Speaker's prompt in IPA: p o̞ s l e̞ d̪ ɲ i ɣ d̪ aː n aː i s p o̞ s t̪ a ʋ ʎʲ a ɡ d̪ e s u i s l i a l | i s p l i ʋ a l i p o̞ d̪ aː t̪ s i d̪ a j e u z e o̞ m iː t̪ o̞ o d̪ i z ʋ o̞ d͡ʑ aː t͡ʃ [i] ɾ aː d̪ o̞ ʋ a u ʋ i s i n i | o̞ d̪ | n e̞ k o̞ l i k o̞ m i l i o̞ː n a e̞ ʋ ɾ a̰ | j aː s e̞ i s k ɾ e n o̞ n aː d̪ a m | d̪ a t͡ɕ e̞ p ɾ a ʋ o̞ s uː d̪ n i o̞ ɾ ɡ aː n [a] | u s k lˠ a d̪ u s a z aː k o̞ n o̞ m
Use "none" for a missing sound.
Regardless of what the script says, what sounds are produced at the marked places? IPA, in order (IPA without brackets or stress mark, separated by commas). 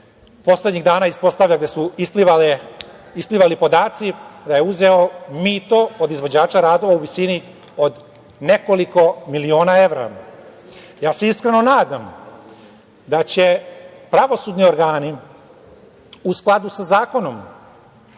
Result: a, i